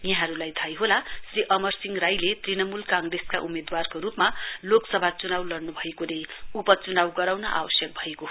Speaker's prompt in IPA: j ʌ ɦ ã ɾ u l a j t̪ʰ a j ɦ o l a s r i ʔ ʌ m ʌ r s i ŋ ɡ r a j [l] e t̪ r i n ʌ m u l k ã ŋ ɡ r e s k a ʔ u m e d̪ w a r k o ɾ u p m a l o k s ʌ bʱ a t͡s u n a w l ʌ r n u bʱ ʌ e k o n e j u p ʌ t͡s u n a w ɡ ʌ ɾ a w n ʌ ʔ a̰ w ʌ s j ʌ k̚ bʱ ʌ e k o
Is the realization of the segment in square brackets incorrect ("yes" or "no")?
no